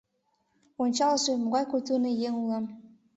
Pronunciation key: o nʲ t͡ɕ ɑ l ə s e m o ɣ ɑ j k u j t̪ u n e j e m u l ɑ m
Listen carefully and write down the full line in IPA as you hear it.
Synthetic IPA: o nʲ t͡ɕ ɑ l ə ʃ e m o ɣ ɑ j k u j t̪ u n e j e ŋ u l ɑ m